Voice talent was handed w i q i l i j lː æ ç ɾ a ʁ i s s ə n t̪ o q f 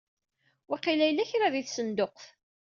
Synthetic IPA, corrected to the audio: w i q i l æ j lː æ ç ɾ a ð i θ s ə n d̪ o q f